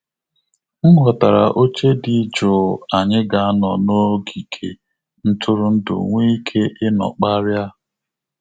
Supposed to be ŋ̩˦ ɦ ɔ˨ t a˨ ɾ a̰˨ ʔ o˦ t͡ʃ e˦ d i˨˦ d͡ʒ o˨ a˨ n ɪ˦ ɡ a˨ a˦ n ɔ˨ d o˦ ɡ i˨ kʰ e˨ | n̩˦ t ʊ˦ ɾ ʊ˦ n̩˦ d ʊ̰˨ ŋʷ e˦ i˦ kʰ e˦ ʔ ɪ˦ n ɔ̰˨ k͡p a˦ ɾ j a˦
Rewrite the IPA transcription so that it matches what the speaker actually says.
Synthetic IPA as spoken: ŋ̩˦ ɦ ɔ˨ t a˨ ɾ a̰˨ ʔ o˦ t͡ʃ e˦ d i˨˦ d͡ʒ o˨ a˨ ɲ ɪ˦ ɡ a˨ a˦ n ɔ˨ n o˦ ɡ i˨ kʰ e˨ | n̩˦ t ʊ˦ ɾ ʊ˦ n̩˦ d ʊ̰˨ ŋʷ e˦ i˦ kʰ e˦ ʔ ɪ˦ n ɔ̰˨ k͡p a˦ ɾ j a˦